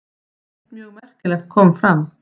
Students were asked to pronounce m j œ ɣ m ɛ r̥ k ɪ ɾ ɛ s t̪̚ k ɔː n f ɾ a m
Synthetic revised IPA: m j œ ɣ m ɛ r̥ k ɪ l ɛ x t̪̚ kʰ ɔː m f ɾ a m